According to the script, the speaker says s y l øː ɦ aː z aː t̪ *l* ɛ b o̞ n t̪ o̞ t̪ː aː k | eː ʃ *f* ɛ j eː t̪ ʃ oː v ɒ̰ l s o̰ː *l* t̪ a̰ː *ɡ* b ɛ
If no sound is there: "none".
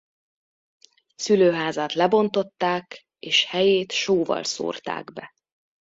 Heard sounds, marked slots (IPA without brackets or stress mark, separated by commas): l, h, r, ɡ